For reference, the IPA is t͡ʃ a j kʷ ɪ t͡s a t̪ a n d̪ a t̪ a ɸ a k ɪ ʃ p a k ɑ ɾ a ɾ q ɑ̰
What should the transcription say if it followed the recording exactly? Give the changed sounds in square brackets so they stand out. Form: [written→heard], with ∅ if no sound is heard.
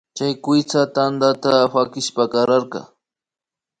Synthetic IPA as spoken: t͡ʃ a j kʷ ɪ t͡s a t̪ a n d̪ a t̪ a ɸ a k ɪ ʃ p a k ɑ ɾ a ɾ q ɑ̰